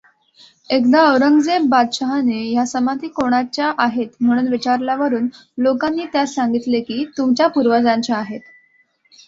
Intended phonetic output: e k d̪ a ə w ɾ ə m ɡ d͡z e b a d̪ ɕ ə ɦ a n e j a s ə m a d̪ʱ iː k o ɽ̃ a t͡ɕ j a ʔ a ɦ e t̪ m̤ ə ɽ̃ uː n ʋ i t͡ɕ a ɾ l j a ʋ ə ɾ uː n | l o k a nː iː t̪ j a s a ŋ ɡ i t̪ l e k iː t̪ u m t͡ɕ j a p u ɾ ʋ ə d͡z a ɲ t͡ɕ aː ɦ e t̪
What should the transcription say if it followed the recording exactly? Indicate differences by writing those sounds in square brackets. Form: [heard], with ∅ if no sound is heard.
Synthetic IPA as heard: e k d̪ a ə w ɾ ə [ŋ] ɡ d͡z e b a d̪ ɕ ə ɦ a n e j a s ə m a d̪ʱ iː k o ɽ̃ a t͡ɕ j a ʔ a ɦ e t̪ m̤ ə ɽ̃ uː n ʋ i t͡ɕ a ɾ l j a ʋ ə ɾ uː n | l o k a nː iː t̪ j a s a ŋ ɡ i t̪ l e k iː t̪ u m t͡ɕ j a p u ɾ ʋ ə d͡z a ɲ t͡ɕ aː ɦ e t̪